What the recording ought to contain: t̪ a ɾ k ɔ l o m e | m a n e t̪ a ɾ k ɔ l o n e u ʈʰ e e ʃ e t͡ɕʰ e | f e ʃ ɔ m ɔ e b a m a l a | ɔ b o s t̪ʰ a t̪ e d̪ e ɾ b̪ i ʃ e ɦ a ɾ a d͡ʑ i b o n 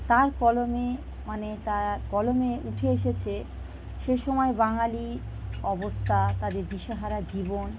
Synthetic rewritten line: t̪ a ɾ k ɔ l o m e | m a n e t̪ a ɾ k ɔ l o m e u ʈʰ e e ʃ e t͡ɕʰ e | ʃ e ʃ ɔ m ɔ e b a ŋ a l i | ɔ b o s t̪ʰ a t̪ a d̪ e ɾ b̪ i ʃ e ɦ a ɾ a d͡ʑ i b o n